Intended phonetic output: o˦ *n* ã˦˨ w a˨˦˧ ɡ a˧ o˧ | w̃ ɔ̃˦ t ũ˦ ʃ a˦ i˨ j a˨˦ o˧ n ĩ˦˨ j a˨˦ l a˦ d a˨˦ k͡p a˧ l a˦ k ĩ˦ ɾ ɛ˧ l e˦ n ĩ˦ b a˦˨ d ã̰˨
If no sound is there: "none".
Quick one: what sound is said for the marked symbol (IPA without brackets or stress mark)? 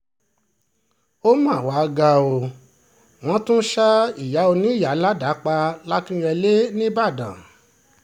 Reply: m